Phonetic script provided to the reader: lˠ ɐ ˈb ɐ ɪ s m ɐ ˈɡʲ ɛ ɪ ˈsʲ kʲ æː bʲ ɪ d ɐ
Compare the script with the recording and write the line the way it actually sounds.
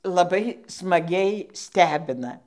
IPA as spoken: lˠ ɐ ˈb ɐ ɪ s m ɐ ˈɡʲ ɛ ɪ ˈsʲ tʲ æː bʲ ɪ n ɐ